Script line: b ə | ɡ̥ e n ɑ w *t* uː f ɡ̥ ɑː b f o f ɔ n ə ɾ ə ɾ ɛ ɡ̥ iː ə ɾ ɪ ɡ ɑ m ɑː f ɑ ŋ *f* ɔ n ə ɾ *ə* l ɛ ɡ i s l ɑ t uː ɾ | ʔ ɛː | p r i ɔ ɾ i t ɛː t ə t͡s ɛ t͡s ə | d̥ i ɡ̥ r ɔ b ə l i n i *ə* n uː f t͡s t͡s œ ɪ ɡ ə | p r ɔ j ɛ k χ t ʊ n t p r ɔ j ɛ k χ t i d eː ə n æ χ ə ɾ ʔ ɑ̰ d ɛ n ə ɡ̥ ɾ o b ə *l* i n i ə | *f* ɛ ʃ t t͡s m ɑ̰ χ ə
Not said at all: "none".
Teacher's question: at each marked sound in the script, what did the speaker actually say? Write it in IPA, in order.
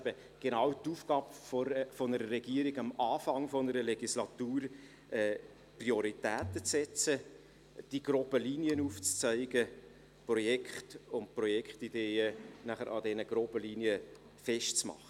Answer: t, f, ə, ə, l, f

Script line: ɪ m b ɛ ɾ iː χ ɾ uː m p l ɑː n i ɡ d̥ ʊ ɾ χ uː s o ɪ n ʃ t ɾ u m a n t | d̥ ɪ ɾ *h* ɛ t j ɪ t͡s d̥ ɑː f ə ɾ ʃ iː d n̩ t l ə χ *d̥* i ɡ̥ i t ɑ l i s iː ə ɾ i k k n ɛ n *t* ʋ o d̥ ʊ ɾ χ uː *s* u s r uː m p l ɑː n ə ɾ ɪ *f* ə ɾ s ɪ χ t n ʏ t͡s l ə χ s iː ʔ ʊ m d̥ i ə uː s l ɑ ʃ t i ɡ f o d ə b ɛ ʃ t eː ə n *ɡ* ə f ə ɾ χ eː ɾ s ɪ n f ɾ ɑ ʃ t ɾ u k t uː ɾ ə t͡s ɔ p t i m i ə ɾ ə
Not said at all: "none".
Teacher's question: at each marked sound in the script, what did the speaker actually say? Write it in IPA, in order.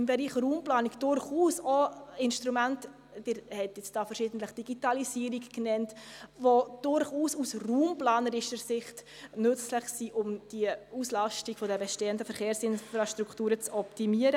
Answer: h, d̥, t, s, ʃ, d

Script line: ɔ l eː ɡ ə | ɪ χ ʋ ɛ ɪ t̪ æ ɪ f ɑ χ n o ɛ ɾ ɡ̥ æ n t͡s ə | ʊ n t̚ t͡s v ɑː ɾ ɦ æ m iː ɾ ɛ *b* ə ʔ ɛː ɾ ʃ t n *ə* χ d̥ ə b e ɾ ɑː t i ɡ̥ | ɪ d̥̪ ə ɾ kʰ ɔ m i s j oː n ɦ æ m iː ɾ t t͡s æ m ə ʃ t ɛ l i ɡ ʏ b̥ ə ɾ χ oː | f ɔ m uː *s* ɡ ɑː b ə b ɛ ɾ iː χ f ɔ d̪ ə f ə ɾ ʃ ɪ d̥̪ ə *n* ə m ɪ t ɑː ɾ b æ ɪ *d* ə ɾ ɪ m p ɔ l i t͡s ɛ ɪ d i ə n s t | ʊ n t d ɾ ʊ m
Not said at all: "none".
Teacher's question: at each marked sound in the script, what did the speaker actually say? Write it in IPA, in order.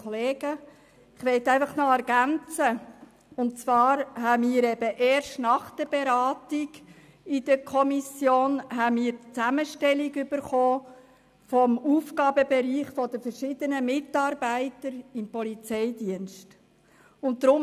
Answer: b, ɑ, f, n, t

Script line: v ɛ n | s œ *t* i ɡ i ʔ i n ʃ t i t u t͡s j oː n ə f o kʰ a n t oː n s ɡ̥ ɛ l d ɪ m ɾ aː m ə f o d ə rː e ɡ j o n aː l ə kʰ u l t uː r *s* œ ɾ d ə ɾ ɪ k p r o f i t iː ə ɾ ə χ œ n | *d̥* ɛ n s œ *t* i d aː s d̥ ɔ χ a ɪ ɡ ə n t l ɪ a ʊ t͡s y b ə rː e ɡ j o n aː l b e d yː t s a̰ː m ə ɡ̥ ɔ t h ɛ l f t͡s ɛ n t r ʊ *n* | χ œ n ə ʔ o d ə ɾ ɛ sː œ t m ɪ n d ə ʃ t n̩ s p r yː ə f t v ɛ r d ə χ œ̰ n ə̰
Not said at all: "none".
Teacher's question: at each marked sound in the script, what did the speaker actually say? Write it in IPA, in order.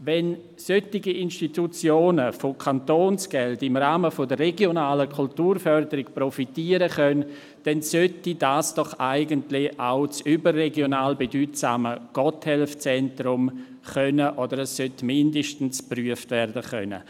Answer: t, f, d̥, t, m

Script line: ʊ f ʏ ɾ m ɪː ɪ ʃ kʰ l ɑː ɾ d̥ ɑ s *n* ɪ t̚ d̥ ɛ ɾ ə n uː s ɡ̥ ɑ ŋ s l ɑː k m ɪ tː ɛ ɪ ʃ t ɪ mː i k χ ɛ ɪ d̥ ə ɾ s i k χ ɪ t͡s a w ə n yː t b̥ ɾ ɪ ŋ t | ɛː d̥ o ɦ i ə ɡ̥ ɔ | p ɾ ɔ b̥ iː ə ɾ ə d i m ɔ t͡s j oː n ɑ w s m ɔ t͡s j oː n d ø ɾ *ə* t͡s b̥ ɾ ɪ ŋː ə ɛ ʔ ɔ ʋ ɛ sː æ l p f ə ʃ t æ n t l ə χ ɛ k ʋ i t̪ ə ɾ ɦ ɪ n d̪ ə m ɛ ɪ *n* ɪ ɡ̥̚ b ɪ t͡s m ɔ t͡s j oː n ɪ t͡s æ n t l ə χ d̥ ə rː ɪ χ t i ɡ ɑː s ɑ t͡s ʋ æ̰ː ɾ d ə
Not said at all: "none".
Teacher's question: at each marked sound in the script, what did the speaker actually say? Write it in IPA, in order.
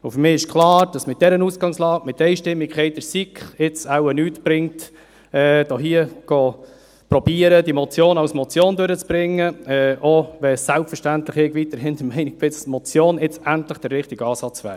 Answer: m, ə, n

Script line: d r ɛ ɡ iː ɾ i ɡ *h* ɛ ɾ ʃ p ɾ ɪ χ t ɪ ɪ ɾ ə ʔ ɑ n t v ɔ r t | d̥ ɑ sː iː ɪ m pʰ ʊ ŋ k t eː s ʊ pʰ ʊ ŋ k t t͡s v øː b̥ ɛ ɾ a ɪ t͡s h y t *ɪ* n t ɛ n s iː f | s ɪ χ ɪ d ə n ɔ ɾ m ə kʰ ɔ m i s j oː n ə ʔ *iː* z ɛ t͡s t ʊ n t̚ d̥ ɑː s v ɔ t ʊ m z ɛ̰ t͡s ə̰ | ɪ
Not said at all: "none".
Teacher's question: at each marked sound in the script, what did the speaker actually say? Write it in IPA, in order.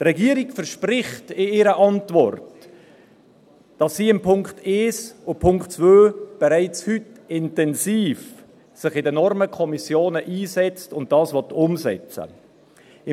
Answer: f, ɪ, iː

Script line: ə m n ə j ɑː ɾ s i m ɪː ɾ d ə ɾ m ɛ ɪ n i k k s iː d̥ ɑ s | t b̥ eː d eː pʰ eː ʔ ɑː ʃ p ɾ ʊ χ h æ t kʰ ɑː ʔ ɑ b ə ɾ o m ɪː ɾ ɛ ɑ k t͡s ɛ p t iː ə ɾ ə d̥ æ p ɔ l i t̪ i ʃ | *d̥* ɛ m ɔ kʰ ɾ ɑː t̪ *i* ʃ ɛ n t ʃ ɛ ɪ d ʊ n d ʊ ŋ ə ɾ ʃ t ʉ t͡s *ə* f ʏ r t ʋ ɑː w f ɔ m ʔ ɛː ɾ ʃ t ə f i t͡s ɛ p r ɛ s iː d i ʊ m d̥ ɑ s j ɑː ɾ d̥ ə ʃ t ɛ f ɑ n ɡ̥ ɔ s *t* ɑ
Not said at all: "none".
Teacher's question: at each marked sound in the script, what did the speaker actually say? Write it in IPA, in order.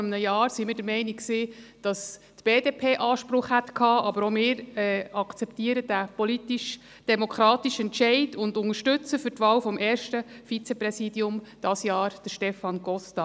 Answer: d̥, i, ə, t

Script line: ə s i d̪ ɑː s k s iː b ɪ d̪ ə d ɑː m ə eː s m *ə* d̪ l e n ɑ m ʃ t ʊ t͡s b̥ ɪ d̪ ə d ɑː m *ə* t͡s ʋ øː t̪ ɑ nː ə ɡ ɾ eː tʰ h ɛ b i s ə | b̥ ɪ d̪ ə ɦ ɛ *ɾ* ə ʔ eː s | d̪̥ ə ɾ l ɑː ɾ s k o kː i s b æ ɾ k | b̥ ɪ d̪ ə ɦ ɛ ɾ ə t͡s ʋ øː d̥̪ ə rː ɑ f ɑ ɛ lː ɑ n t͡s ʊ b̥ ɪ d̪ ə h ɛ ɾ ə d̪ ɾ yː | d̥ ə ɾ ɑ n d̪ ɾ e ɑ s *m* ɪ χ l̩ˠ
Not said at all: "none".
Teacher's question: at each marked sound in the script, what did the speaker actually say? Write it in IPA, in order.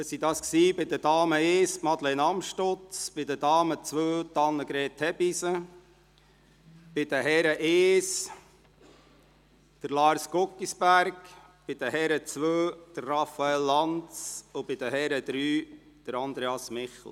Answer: ɑ, ə, ɾ, m

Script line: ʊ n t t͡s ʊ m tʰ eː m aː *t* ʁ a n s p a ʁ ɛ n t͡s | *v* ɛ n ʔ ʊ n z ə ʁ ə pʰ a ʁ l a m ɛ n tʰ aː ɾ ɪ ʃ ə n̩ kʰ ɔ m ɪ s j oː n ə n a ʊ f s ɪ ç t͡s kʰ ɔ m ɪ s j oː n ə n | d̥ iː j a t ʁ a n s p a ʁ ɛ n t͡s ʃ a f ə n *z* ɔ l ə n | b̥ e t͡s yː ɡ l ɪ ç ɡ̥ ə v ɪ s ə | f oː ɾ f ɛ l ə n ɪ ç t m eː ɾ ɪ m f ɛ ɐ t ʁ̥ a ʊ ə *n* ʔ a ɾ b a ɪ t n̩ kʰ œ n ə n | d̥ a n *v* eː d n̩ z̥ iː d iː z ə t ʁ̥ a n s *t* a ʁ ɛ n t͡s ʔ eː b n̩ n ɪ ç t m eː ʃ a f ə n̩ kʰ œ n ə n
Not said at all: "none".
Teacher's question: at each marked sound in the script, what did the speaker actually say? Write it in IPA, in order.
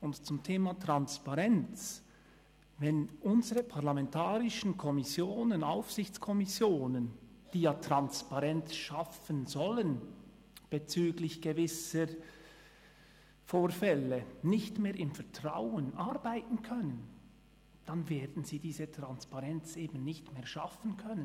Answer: t, v, z, n, v, p

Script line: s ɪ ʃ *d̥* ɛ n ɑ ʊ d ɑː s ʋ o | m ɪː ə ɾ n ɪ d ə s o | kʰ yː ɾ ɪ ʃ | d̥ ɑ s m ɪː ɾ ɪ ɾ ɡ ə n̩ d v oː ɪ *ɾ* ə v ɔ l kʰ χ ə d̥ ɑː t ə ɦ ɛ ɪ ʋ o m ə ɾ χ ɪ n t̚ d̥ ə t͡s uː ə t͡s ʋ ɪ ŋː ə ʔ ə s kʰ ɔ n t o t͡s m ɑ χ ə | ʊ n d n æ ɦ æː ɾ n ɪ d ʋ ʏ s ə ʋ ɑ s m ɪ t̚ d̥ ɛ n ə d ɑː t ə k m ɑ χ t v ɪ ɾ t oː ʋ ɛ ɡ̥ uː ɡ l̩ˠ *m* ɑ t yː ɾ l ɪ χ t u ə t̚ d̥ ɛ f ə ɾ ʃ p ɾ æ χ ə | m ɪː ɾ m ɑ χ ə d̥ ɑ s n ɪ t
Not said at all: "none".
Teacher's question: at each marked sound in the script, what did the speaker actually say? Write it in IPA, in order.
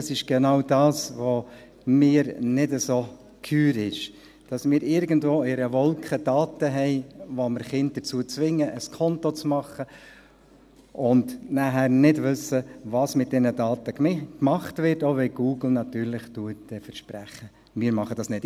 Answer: ɡ̥, ɾ, n

